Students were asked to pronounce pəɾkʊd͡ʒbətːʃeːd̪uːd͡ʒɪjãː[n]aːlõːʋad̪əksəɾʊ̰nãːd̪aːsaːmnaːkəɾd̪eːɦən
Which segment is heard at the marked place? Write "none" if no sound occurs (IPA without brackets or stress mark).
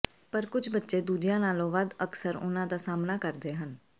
n